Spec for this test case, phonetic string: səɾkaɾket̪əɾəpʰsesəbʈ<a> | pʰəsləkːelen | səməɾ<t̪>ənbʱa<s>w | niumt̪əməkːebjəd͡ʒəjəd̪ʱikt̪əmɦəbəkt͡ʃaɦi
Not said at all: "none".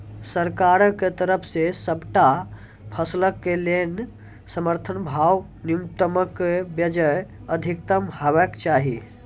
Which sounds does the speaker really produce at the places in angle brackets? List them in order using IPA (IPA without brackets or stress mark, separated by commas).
a, t̪ʰ, none